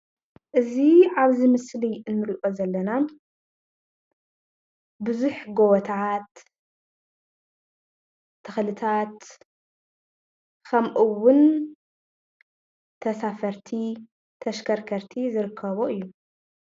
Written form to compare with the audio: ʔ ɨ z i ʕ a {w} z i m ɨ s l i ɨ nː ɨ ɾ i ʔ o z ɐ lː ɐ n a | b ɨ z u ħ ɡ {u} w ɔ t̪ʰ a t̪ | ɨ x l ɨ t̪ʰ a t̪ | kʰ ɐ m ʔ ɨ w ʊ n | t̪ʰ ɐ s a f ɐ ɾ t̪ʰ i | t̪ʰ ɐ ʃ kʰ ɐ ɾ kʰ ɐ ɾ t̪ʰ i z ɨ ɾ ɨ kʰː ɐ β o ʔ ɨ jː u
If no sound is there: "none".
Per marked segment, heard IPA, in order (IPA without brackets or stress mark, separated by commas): β, o